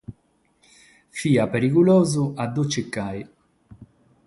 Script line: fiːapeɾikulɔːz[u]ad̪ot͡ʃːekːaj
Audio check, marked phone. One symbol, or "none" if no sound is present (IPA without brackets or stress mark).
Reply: u